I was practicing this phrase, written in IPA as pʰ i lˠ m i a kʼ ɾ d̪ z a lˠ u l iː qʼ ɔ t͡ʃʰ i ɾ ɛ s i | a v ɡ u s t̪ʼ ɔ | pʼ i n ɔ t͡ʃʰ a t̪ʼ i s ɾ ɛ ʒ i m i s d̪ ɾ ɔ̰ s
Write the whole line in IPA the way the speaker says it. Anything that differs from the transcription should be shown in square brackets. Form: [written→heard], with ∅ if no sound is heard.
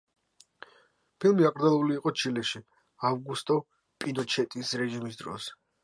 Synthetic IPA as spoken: pʰ i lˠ m i a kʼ ɾ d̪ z a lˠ u l iː qʼ ɔ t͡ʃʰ i [ɾ→l] ɛ [s→ʃ] i | a v ɡ u s t̪ʼ ɔ | pʼ i n ɔ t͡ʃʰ [a→ɛ] t̪ʼ i s ɾ ɛ ʒ i m i s d̪ ɾ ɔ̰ s